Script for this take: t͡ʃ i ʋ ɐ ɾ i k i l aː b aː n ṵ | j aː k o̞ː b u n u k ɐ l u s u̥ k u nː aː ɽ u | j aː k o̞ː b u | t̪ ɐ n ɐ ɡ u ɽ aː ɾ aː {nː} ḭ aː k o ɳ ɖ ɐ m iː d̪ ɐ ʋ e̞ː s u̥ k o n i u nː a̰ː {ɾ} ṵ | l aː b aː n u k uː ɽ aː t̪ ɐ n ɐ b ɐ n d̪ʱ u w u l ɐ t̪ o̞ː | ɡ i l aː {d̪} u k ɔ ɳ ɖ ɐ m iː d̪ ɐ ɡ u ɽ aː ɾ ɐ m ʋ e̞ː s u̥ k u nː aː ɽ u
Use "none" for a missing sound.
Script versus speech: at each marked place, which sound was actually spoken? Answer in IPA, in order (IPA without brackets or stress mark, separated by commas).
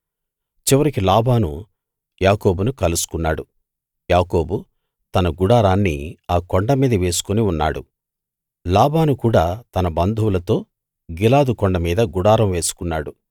nː, ɽ, d̪